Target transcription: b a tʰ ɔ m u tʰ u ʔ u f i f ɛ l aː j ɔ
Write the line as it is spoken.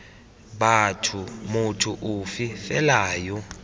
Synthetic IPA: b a tʰ u m u tʰ u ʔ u f i f ɛ l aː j ɔ